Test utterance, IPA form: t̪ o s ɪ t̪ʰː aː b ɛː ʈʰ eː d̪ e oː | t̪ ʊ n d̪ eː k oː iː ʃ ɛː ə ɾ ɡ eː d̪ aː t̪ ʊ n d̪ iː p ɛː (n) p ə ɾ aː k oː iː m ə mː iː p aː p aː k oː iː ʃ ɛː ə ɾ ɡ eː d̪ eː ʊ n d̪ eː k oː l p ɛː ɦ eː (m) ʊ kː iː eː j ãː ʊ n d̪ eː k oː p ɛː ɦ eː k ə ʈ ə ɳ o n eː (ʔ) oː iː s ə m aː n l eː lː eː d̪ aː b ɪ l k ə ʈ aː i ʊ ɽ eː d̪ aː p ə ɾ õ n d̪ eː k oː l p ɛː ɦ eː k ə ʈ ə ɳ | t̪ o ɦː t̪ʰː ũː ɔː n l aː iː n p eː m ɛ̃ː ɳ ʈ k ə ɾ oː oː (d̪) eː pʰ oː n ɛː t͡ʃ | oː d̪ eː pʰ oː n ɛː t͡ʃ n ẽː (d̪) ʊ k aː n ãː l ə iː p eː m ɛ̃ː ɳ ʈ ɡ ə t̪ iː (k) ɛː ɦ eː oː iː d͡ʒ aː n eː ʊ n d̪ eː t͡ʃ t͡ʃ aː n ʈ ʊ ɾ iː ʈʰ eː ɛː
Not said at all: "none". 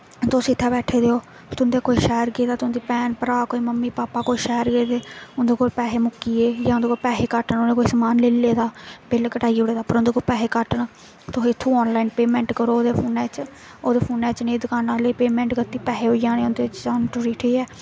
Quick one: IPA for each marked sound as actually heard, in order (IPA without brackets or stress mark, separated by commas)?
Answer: n, m, k, d̪, d̪, p